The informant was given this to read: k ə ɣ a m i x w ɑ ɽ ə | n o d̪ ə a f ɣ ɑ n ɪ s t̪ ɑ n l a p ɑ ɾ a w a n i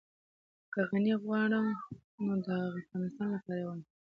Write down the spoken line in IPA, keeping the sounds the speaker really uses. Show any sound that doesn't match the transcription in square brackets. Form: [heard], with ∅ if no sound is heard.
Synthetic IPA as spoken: k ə ɣ a [n] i [ɣ] w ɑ ɽ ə | n o d̪ ə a f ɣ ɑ n ɪ s t̪ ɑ n l a p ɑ ɾ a w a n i

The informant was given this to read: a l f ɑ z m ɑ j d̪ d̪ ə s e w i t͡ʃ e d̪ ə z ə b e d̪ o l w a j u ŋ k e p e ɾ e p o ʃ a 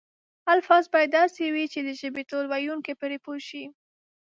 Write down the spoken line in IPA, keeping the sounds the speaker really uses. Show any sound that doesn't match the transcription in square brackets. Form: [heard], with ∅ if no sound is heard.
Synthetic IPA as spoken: a l f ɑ z [b] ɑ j d̪ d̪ [ɑ] s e w i t͡ʃ e d̪ ə [ʒ] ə b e [t̪] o l w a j u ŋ k e p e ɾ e p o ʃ [i]

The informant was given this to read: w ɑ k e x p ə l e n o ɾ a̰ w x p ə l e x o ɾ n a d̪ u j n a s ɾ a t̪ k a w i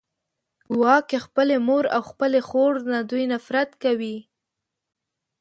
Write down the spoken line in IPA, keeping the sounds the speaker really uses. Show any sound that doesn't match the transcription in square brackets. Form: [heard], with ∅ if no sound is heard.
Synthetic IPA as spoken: w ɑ k e x p ə l e [m] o ɾ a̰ w x p ə l e x o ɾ n a d̪ u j n a [f] ɾ a t̪ k a w i

